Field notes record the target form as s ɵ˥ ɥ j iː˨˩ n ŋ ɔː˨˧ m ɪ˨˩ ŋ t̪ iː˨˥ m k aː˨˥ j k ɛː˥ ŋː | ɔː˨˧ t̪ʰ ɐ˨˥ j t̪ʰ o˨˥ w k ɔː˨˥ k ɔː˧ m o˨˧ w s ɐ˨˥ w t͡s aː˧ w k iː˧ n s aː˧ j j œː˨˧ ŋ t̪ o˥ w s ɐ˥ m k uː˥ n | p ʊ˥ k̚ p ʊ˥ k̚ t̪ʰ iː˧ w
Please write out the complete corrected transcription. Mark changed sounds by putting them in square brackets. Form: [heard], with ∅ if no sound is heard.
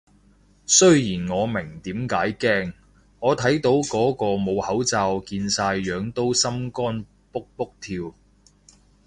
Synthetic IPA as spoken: s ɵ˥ ɥ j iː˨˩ n ŋ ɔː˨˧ m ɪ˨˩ ŋ t̪ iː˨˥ m k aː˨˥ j k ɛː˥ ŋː | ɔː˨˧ t̪ʰ ɐ˨˥ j [t̪] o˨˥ w k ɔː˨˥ k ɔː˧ m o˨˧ w [h] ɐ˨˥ w t͡s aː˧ w k iː˧ n s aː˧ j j œː˨˧ ŋ t̪ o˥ w s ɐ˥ m k [ɔː˥] n | p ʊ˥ k̚ p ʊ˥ k̚ t̪ʰ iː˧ w